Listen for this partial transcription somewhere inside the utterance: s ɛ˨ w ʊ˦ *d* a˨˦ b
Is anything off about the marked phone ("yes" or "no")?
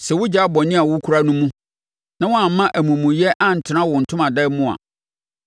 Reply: yes